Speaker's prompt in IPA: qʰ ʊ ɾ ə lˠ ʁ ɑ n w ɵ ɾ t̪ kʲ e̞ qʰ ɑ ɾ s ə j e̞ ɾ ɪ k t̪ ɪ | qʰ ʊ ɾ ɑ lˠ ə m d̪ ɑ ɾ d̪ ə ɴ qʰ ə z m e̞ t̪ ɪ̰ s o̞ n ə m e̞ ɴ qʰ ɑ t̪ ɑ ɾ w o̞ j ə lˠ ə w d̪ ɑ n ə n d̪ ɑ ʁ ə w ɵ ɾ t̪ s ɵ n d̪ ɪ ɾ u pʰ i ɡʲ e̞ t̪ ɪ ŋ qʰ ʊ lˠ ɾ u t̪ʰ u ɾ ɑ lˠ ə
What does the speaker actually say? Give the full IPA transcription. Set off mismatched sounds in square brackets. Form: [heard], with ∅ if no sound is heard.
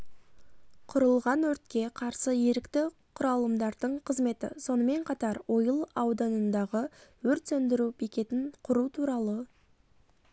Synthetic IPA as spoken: qʰ ʊ ɾ ə lˠ ʁ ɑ n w ɵ ɾ t̪ kʲ e̞ qʰ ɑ ɾ s ə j e̞ ɾ ɪ k t̪ ɪ | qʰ ʊ ɾ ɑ lˠ ə m d̪ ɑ ɾ d̪ ə ɴ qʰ ə z m e̞ t̪ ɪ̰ s o̞ n ə m e̞ ɴ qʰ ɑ t̪ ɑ ɾ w o̞ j ə lˠ [ɑ] w d̪ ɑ n ə n d̪ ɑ ʁ ə w ɵ ɾ t̪ s ɵ n d̪ ɪ ɾ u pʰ i [kʲ] e̞ t̪ ɪ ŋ qʰ ʊ [∅] ɾ u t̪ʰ u ɾ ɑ lˠ ə

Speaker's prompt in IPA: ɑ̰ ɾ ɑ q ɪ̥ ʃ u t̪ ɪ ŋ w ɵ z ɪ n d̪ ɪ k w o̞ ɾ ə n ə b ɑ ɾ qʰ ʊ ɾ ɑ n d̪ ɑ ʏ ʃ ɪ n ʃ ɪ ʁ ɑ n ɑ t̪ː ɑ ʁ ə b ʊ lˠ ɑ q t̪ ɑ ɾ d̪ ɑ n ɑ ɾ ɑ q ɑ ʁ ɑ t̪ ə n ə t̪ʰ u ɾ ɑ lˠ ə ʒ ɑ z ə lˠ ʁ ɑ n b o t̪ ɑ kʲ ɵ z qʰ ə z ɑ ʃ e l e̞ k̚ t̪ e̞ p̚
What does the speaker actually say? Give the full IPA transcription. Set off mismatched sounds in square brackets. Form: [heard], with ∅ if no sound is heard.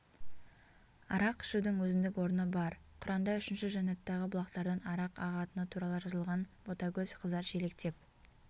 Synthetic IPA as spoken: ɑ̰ ɾ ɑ q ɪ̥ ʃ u [d̪] ɪ ŋ w ɵ z ɪ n d̪ ɪ k w o̞ ɾ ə n ə b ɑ ɾ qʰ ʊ ɾ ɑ n d̪ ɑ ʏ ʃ ɪ n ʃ ɪ [ʒ] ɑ n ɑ t̪ː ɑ ʁ ə b ʊ lˠ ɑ q t̪ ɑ ɾ d̪ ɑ n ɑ ɾ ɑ q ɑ ʁ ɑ t̪ ə n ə t̪ʰ u ɾ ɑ lˠ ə ʒ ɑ z ə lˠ ʁ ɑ n b o t̪ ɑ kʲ ɵ z qʰ ə z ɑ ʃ e l e̞ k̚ t̪ e̞ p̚

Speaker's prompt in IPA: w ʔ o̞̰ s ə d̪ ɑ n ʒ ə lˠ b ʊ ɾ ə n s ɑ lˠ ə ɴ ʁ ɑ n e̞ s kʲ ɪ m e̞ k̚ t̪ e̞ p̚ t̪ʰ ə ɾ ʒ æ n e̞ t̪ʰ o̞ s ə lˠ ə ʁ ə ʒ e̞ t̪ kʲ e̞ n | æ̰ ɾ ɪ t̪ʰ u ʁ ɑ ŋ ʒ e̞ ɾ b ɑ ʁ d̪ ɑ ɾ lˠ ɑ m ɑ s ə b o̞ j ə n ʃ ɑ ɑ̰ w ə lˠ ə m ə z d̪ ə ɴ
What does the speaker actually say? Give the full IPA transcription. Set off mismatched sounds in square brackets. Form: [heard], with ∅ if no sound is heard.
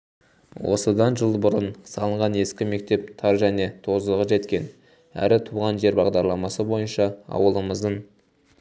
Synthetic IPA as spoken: w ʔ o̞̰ s ə d̪ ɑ n ʒ ə lˠ b ʊ ɾ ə n s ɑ lˠ ə ɴ ʁ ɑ n e̞ s kʲ ɪ m e̞ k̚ t̪ e̞ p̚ t̪ʰ [ɑ] ɾ ʒ æ n e̞ t̪ʰ o̞ [z] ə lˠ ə ʁ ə ʒ e̞ t̪ kʲ e̞ n | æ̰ ɾ ɪ t̪ʰ u ʁ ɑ [n] ʒ e̞ ɾ b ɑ ʁ d̪ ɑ ɾ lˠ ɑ m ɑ s ə b o̞ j ə n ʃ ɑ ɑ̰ w ə lˠ ə m ə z d̪ ə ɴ

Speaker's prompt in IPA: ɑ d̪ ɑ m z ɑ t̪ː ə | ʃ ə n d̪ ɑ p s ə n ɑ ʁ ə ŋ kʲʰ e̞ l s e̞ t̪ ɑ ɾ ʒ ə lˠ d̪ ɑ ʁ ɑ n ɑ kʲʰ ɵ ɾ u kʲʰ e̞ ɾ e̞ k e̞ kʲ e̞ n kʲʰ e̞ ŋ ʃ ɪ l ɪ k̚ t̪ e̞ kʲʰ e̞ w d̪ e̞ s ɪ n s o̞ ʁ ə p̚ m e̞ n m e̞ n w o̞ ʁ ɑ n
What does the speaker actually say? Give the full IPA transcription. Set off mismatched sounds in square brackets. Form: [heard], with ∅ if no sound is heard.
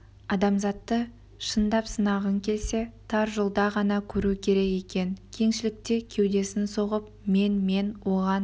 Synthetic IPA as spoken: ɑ d̪ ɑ m z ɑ t̪ː ə | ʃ ə n d̪ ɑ p s ə n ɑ ʁ ə ŋ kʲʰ e̞ l s e̞ [t̪ʰ] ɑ ɾ ʒ ə lˠ d̪ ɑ ʁ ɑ n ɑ kʲʰ ɵ ɾ u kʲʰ e̞ ɾ e̞ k e̞ kʲ e̞ n kʲʰ e̞ ŋ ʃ ɪ l ɪ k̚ t̪ e̞ kʲʰ e̞ w d̪ e̞ s ɪ n s o̞ ʁ ə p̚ m e̞ n m e̞ n w o̞ ʁ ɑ n

